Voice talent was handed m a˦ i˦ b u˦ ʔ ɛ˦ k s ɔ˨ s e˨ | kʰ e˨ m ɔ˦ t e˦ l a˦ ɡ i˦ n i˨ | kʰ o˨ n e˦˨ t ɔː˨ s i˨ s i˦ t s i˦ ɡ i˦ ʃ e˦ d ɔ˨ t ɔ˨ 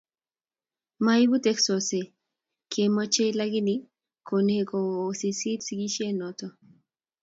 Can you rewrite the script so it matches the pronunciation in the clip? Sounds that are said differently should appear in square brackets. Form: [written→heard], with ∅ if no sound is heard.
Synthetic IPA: m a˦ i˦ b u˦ [ʔ→t] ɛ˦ k s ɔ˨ s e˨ | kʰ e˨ m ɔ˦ [t→t͡ʃ] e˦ l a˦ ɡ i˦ n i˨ | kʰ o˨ n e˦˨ [t→k] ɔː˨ s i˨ s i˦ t s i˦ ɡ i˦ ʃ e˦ [d→n] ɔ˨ t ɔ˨